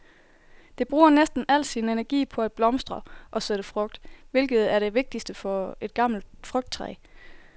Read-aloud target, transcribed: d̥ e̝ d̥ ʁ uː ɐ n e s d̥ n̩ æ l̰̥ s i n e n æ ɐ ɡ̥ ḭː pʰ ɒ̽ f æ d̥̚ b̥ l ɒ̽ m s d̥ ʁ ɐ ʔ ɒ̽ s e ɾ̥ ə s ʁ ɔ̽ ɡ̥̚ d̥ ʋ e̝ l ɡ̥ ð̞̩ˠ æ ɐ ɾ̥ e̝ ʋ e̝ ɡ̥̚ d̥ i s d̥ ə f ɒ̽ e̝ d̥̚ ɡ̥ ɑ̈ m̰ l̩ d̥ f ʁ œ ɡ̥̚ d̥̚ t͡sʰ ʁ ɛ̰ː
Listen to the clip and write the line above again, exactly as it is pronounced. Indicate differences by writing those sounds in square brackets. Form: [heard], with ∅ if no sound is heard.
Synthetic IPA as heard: d̥ e̝ [b̥] ʁ uː ɐ n e s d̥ n̩ æ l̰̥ s i n e n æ ɐ ɡ̥ ḭː pʰ ɒ̽ [∅] æ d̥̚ b̥ l ɒ̽ m s d̥ ʁ ɐ ʔ ɒ̽ s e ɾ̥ ə [f] ʁ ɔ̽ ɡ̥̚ d̥ ʋ e̝ l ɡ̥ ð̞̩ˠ æ ɐ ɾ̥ e̝ ʋ e̝ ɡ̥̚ d̥ i s d̥ ə f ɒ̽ e̝ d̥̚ ɡ̥ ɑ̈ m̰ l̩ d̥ f ʁ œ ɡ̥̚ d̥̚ t͡sʰ ʁ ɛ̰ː

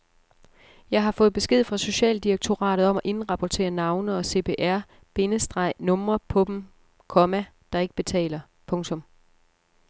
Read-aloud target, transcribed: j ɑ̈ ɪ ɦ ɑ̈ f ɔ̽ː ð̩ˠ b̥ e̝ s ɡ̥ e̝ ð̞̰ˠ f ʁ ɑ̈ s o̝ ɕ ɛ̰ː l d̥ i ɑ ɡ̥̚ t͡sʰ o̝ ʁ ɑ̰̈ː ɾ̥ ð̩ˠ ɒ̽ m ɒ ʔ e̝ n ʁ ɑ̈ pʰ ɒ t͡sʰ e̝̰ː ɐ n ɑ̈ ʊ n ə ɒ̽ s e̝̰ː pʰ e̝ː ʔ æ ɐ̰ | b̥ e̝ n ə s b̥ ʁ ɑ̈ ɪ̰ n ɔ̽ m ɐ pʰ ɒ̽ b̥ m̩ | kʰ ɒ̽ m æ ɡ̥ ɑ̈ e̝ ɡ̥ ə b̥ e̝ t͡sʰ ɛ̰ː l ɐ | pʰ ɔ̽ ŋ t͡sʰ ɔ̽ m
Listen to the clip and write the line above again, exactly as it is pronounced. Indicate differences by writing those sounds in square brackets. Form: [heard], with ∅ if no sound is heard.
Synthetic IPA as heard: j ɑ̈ ɪ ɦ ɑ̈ f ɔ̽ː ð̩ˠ b̥ e̝ s ɡ̥ e̝ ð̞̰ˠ f ʁ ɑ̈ s o̝ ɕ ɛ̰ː l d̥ i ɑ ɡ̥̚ t͡sʰ o̝ ʁ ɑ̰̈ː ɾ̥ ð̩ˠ ɒ̽ m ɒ ʔ e̝ n ʁ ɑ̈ pʰ ɒ t͡sʰ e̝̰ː ɐ n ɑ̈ ʊ n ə ɒ̽ s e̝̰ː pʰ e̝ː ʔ æ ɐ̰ | b̥ e̝ n ə s [d̥] ʁ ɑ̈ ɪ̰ n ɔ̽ m ɐ pʰ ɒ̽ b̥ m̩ | kʰ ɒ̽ m æ [d̥] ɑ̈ e̝ ɡ̥ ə b̥ e̝ t͡sʰ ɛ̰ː l ɐ | pʰ ɔ̽ ŋ t͡sʰ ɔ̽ m

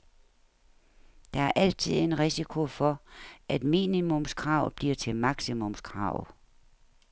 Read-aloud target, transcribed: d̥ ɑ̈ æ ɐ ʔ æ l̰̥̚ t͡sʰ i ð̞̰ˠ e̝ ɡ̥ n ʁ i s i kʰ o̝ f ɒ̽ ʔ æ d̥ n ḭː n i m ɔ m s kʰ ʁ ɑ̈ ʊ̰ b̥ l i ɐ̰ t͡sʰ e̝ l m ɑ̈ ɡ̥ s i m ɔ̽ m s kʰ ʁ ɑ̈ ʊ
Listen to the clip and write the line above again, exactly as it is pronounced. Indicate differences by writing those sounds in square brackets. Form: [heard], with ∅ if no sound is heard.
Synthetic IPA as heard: d̥ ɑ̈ æ ɐ ʔ æ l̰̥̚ t͡sʰ i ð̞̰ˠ e̝ [∅] n ʁ i s i kʰ o̝ f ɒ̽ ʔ æ d̥ [m] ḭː n i m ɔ m s kʰ ʁ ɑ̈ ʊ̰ b̥ l i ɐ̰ t͡sʰ e̝ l m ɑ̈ ɡ̥ s i m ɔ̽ m s kʰ ʁ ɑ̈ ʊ

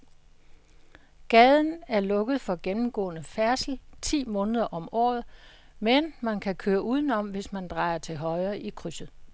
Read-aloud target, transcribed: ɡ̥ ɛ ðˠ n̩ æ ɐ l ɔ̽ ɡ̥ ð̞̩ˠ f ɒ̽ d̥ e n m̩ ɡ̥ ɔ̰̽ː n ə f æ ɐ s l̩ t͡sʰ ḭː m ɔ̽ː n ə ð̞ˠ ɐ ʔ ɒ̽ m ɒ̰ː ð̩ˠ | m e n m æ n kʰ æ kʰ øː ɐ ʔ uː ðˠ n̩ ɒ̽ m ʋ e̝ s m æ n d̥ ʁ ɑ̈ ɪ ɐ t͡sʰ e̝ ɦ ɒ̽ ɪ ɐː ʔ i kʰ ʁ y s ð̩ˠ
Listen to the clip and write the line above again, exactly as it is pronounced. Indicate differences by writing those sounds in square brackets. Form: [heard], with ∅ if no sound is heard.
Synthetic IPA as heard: ɡ̥ ɛ ðˠ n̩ æ ɐ l ɔ̽ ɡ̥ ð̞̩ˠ f ɒ̽ [ɡ̥] e n m̩ ɡ̥ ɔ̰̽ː n ə f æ ɐ s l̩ t͡sʰ ḭː m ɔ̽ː n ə ð̞ˠ ɐ ʔ ɒ̽ m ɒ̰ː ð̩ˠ | m e n m æ n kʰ æ kʰ øː ɐ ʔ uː ðˠ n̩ ɒ̽ m ʋ e̝ s m æ n d̥ ʁ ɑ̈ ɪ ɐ t͡sʰ e̝ ɦ ɒ̽ ɪ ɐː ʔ i kʰ ʁ y s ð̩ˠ

